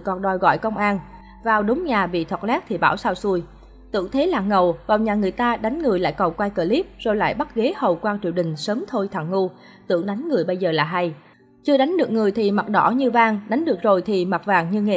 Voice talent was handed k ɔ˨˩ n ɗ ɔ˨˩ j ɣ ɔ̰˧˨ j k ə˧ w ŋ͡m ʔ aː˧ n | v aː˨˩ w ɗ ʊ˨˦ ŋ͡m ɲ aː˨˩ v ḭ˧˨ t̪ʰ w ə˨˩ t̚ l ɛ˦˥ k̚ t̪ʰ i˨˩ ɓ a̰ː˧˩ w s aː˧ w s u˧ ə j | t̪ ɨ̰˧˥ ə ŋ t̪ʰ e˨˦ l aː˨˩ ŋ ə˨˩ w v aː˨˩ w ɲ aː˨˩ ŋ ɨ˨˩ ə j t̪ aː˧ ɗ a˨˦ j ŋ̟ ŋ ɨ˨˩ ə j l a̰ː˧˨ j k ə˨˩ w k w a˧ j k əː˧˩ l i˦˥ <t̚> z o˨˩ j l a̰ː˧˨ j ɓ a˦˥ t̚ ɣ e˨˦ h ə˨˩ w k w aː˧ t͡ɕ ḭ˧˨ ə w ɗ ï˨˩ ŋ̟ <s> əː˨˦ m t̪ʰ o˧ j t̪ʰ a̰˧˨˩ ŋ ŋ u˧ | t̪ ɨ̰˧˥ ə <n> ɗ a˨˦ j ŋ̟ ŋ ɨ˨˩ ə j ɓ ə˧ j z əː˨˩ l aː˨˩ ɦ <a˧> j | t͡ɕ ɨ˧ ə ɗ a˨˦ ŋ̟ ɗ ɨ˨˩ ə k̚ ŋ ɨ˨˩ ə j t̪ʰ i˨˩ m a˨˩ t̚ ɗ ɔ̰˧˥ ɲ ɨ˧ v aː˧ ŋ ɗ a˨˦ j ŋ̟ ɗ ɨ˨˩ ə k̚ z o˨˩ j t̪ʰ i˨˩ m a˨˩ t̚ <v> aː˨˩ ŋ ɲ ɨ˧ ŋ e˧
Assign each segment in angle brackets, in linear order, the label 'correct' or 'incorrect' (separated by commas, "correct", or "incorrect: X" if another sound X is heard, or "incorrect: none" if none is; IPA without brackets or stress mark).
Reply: incorrect: p̚, correct, incorrect: ŋ, correct, correct